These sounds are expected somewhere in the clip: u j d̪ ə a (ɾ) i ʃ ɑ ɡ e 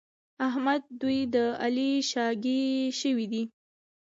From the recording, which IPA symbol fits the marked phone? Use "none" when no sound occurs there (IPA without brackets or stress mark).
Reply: l